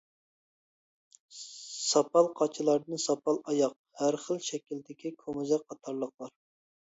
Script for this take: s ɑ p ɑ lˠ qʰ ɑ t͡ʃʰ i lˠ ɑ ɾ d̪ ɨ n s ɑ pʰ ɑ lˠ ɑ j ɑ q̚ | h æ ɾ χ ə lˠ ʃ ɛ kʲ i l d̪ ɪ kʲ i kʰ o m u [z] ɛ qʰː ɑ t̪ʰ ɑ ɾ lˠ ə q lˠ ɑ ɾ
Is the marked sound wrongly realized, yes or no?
no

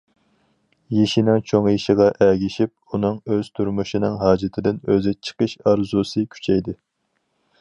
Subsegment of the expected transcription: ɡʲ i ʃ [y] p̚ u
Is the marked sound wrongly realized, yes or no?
yes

